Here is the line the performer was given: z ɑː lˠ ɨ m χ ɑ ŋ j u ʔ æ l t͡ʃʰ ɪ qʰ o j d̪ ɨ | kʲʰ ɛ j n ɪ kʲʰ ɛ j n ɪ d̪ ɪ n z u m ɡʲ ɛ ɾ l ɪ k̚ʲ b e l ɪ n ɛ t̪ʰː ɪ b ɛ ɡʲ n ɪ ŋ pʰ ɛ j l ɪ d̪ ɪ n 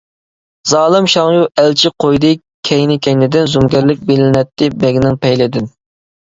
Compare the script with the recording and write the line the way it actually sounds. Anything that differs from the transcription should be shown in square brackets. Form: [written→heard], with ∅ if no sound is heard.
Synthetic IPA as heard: z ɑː lˠ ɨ m [χ→ʃ] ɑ ŋ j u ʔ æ l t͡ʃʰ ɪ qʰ o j d̪ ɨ | kʲʰ ɛ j n ɪ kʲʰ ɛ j n ɪ d̪ ɪ n z u m ɡʲ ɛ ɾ l ɪ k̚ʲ b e l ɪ n ɛ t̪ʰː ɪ b ɛ ɡʲ n ɪ ŋ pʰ ɛ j l ɪ d̪ ɪ n